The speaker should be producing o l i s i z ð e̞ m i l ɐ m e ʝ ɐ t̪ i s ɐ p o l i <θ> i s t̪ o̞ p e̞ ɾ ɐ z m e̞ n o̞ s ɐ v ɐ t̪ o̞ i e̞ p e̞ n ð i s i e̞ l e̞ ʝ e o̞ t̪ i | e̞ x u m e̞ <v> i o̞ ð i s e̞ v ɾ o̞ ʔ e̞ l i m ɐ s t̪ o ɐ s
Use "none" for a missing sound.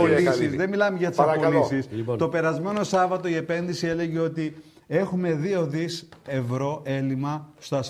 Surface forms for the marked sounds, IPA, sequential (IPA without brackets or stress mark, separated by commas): s, ð